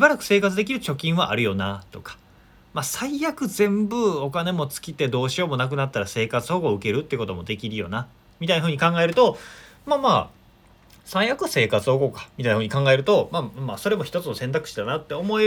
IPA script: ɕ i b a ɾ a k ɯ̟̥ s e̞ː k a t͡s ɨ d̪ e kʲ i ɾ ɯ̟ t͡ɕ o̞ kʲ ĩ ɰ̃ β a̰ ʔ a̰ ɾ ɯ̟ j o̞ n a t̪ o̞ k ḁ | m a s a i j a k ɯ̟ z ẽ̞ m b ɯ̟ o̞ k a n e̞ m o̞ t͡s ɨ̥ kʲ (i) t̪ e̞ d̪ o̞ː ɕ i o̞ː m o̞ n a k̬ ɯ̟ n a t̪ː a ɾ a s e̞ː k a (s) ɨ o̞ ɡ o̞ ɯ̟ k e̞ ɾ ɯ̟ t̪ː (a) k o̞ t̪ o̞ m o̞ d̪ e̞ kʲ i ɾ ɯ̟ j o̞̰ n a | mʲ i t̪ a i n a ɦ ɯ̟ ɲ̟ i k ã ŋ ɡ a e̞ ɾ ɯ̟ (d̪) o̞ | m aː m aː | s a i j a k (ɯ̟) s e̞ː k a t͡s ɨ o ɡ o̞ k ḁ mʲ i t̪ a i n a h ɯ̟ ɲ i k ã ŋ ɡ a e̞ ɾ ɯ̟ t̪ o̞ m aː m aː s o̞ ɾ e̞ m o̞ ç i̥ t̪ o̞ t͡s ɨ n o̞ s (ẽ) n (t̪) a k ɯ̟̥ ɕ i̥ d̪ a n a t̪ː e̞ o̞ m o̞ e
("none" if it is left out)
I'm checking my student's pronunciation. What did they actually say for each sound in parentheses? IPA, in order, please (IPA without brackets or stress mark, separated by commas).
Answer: i, t͡s, e, t̪, ɯ̟, ẽ, t̪